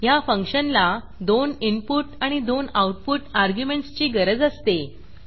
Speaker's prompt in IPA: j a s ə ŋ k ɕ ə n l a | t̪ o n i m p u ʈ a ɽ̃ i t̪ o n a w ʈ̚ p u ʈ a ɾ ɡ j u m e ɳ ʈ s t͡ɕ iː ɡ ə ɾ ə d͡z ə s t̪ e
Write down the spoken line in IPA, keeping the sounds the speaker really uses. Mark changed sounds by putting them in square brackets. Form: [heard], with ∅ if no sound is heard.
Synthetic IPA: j a [f] ə ŋ k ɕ ə n l a | [d̪] o n i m p u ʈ a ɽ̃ i [d̪] o n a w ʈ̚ p u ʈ a ɾ ɡ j u m e ɳ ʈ s t͡ɕ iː ɡ ə ɾ ə d͡z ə s t̪ e